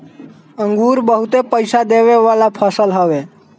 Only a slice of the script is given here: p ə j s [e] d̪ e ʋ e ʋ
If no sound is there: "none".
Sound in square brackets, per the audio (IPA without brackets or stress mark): a